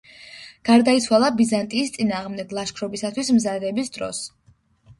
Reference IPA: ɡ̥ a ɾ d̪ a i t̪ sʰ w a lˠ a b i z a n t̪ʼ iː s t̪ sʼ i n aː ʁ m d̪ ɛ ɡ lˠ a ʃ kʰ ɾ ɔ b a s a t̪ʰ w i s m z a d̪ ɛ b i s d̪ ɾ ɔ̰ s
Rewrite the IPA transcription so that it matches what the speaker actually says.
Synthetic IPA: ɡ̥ a ɾ d̪ a i t̪ sʰ w a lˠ a b i z a n t̪ʼ iː s t̪ sʼ i n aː ʁ m d̪ ɛ ɡ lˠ a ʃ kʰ ɾ ɔ b i s a t̪ʰ w i s m z a d̪ ɛ b i s d̪ ɾ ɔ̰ s

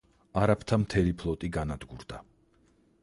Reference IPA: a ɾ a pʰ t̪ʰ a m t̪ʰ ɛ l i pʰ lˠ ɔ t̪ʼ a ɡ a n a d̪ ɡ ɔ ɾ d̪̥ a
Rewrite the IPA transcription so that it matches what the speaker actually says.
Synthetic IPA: a ɾ a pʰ t̪ʰ a m t̪ʰ ɛ l i pʰ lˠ ɔ t̪ʼ i ɡ a n a d̪ ɡ u ɾ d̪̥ a

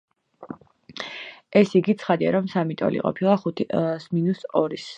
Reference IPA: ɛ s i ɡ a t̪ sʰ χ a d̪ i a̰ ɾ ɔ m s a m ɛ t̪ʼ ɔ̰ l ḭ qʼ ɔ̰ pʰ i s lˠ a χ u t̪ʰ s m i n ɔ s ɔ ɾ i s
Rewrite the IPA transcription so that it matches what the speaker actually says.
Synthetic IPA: ɛ s i ɡ i t̪ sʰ χ a d̪ i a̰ ɾ ɔ m s a m i t̪ʼ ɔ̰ l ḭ qʼ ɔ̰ pʰ i lˠ a χ u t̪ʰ s m i n u s ɔ ɾ i s

